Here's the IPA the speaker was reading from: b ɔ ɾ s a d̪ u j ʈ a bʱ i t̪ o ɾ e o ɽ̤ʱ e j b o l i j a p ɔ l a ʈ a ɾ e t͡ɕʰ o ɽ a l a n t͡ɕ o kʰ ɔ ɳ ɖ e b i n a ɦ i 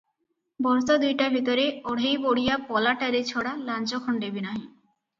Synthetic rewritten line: b ɔ ɾ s a d̪ u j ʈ a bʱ i t̪ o ɾ e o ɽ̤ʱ e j b o ɽ i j a p ɔ l a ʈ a ɾ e t͡ɕʰ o ɽ a l a n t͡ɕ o kʰ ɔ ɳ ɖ e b i n a ɦ i